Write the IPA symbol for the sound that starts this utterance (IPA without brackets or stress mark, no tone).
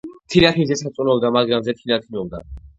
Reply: t̪ʰ